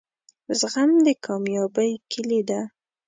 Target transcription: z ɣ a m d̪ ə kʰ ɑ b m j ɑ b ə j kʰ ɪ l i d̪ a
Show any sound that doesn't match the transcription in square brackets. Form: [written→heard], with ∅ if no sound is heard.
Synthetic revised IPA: z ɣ a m d̪ ə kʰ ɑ [b→∅] m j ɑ b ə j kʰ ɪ l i d̪ a